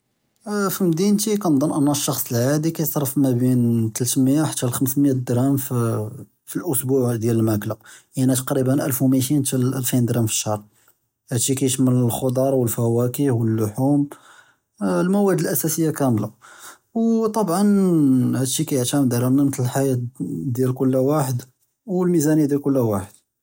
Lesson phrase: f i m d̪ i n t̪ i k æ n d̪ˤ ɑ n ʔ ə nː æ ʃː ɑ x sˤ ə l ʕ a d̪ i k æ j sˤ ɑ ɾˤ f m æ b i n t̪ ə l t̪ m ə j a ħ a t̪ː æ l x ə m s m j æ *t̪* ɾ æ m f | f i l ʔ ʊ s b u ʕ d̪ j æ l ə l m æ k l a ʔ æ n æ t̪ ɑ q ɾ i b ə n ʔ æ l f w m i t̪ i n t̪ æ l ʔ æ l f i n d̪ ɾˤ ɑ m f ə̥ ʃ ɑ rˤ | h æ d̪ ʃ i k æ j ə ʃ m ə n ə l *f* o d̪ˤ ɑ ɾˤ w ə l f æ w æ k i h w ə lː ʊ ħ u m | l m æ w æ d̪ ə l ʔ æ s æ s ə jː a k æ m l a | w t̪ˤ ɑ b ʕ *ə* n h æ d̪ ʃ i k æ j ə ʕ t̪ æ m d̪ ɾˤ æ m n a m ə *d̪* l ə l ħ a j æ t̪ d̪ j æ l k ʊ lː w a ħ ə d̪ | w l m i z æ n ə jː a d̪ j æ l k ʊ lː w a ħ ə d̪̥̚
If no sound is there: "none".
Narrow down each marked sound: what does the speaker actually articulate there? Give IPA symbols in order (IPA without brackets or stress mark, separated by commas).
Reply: d̪, x, ɑ, t̪